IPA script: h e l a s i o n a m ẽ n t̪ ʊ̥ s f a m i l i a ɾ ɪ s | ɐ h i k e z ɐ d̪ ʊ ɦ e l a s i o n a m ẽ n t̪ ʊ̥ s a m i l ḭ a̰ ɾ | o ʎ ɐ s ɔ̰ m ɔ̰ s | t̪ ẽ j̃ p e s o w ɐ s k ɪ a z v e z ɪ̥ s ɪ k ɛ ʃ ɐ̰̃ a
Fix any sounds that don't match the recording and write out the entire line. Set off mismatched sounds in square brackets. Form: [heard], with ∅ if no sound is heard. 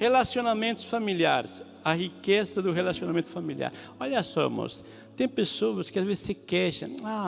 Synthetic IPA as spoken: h e l a s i o n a m ẽ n t̪ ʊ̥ s f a m i l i a ɾ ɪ s | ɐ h i k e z ɐ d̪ ʊ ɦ e l a s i o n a m ẽ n t̪ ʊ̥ [f] a m i l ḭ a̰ ɾ | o ʎ ɐ s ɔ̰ m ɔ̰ s | t̪ ẽ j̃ p e s o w ɐ s k ɪ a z v e z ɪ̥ s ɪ k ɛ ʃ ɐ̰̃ a